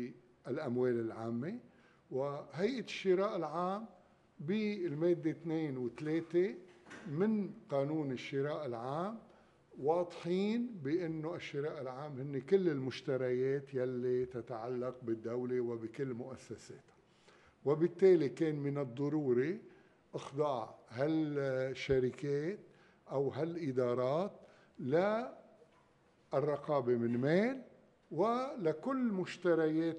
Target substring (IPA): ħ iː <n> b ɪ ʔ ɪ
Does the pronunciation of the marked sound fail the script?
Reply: no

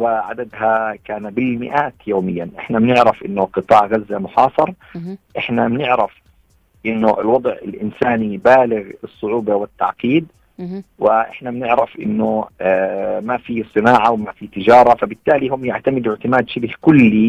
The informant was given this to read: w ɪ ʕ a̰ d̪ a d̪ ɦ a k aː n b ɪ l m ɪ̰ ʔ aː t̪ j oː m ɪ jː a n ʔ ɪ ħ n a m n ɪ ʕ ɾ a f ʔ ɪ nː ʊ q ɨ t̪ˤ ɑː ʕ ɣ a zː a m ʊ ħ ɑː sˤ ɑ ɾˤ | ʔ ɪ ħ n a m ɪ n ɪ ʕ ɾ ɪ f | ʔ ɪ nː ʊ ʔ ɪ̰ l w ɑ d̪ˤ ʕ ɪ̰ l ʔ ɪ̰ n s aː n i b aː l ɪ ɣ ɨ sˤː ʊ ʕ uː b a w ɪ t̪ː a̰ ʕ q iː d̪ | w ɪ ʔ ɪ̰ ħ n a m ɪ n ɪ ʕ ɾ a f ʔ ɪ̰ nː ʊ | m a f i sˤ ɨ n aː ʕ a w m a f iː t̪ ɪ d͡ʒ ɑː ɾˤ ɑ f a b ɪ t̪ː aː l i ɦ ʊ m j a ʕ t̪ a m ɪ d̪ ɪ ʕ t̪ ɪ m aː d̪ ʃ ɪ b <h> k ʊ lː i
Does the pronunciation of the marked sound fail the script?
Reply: no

